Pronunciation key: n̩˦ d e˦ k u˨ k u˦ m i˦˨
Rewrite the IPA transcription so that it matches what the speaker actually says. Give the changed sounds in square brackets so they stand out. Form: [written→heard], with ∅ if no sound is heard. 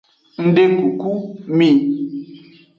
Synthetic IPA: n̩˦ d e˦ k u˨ k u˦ m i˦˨